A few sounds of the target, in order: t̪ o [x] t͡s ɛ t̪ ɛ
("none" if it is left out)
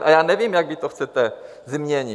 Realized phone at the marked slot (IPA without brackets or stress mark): x